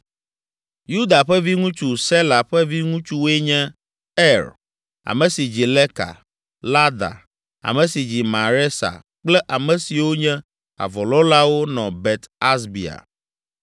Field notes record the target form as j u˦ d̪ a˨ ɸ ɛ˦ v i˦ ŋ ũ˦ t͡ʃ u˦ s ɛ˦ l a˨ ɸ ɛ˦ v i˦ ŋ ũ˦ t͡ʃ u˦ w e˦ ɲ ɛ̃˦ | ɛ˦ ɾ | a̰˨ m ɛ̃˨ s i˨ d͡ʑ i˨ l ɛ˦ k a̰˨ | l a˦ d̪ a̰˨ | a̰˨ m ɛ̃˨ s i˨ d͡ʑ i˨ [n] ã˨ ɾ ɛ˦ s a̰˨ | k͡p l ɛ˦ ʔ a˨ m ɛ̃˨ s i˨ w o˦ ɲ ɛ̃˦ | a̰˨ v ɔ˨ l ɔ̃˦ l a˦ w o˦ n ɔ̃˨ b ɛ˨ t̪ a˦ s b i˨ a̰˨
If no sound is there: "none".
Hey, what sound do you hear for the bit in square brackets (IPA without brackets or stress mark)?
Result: m